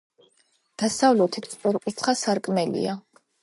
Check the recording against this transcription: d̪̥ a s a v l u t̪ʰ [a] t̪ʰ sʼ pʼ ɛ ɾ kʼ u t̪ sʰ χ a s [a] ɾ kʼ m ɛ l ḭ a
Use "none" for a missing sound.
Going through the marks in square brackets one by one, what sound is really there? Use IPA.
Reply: i, a

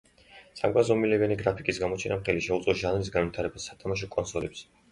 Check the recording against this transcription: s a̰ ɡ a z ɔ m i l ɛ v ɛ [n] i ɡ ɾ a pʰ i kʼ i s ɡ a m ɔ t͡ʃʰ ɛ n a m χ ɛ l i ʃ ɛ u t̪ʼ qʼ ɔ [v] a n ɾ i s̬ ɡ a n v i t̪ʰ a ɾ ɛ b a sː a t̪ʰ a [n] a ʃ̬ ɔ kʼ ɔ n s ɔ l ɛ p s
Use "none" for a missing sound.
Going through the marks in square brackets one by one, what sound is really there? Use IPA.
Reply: n, ʒ, m

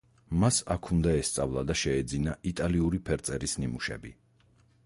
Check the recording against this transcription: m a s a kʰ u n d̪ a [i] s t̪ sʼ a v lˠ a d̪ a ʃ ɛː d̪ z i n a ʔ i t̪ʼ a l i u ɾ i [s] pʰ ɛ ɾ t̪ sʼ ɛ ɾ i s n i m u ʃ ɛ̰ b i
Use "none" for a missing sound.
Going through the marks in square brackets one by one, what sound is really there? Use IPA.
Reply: ɛ, none

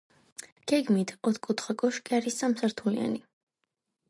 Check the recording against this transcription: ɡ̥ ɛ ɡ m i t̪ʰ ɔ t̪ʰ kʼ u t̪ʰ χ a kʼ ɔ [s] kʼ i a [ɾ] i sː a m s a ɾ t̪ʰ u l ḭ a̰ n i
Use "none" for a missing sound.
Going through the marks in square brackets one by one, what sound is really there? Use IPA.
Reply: ʃ, ɾ

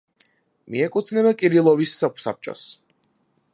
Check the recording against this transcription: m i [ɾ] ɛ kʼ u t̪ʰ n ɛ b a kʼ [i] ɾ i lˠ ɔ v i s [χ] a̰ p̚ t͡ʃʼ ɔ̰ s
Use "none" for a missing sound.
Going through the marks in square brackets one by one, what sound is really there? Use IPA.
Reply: none, i, s

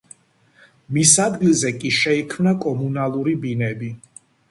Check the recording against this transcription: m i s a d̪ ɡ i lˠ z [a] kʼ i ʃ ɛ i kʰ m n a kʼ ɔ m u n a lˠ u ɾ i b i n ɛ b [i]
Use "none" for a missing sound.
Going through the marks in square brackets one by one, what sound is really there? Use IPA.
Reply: ɛ, i

